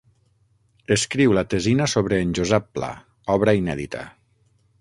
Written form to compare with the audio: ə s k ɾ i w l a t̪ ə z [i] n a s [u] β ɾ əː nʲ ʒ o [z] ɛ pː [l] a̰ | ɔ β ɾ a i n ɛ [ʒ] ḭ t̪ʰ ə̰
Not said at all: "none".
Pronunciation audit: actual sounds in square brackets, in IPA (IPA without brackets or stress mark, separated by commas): i, o, z, l, ð